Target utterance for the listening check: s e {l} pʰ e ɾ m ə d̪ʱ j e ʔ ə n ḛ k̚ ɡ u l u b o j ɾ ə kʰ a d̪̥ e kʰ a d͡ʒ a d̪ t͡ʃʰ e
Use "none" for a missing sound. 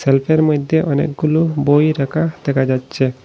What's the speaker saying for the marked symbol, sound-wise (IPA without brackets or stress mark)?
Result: l